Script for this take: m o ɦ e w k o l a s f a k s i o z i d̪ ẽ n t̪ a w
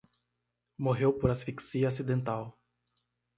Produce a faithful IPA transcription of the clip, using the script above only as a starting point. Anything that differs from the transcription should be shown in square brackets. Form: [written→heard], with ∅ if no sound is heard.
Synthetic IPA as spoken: m o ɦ e w [k→p] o [l→ɾ] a s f [a→i] k s i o [z→s] i d̪ ẽ n t̪ a w